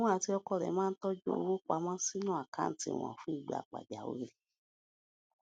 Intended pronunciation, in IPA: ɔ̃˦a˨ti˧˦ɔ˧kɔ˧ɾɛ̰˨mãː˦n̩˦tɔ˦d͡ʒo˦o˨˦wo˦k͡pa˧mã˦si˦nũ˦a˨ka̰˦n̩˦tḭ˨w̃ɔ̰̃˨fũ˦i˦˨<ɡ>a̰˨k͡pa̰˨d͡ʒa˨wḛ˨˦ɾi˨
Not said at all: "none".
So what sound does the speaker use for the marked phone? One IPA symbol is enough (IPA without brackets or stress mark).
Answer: ɡ͡b